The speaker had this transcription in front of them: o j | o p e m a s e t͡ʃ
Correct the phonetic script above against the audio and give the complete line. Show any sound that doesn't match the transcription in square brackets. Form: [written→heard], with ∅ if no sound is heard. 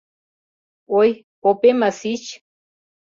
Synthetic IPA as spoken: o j | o p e m a s [e→i] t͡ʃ